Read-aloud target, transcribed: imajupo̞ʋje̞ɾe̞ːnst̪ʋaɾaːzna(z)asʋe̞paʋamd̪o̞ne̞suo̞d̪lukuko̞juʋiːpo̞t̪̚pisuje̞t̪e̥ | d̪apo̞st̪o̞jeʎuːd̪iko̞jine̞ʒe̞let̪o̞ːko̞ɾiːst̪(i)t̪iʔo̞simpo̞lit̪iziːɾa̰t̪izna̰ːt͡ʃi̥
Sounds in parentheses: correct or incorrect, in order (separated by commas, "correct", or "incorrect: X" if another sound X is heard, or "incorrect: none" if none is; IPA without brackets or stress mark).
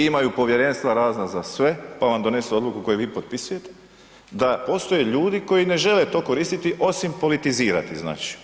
correct, correct